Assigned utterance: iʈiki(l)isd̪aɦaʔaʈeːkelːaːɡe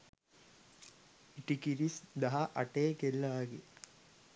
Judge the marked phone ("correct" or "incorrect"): incorrect